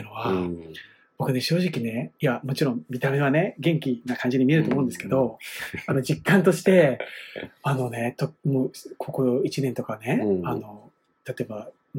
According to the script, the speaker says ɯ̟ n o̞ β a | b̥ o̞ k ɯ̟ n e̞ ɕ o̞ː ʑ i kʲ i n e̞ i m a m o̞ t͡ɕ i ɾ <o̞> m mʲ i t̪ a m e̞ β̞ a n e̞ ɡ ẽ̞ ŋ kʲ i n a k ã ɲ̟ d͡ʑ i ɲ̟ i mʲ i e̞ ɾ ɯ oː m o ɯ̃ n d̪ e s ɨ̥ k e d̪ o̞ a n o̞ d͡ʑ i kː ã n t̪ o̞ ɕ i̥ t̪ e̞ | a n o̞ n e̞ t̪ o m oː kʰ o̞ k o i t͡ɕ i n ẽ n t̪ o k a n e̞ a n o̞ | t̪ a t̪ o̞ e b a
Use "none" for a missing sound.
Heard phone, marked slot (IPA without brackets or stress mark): õ̞